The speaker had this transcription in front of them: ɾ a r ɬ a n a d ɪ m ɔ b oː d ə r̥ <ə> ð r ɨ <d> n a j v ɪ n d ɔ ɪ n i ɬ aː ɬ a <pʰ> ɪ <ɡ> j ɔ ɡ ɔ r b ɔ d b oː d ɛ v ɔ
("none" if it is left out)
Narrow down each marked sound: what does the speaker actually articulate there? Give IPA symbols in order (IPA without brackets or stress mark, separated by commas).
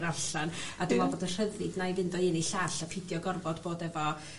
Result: ə, d, pʰ, d